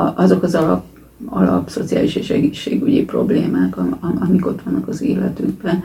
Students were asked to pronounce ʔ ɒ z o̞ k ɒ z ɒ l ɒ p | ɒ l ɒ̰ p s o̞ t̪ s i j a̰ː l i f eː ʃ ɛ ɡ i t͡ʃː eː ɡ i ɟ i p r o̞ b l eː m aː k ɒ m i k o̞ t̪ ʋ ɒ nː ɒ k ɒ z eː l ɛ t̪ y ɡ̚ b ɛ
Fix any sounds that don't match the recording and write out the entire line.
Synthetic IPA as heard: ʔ ɒ z o̞ k ɒ z ɒ l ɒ p | ɒ l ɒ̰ p s o̞ t̪ s i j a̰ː l i ʃ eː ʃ ɛ ɡ i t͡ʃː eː ɡ y ɟ i p r o̞ b l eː m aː k ɒ m i k o̞ t̪ ʋ ɒ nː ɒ k ɒ z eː l ɛ t̪ y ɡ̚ b ɛ